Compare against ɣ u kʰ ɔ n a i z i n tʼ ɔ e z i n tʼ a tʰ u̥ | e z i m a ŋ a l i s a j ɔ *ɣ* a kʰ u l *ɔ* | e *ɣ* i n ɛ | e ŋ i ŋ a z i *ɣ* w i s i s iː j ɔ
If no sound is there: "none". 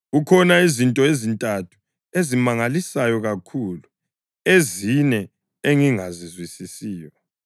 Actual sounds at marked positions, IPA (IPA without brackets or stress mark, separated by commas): ɣ, u, z, z